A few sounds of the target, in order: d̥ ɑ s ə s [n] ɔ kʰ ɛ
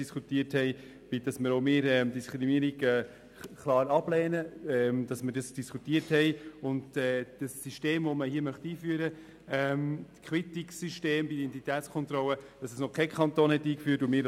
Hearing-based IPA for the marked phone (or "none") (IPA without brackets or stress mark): n